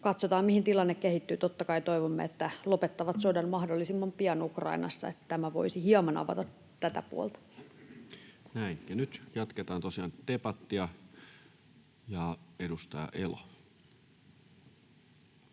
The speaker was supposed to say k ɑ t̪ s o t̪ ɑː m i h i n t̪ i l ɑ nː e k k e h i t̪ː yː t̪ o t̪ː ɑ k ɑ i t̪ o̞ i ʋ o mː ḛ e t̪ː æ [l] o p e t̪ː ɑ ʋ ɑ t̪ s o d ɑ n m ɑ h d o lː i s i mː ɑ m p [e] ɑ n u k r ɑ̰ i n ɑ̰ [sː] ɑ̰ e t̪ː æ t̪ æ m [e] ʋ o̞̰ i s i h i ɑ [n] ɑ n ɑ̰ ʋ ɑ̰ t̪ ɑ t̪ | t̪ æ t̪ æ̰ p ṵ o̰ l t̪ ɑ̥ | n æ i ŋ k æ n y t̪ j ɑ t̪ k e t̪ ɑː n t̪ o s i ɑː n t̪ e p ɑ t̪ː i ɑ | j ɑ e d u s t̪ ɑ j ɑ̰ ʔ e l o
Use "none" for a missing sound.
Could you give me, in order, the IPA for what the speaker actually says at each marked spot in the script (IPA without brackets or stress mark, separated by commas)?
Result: l, i, sː, æ, m